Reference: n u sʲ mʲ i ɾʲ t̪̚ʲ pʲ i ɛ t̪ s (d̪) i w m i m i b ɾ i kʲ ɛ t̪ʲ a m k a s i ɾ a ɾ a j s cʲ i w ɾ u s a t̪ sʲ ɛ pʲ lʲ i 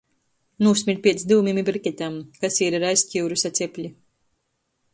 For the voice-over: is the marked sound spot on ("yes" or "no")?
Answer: yes